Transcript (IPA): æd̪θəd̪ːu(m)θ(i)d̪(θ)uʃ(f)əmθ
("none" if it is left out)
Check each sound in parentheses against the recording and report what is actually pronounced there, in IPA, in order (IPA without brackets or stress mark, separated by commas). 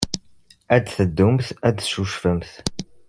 m, æ, ʃ, f